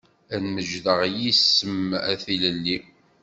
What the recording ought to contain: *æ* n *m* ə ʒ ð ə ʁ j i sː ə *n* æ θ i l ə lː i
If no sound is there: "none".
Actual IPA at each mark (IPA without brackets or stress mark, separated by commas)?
æ, m, m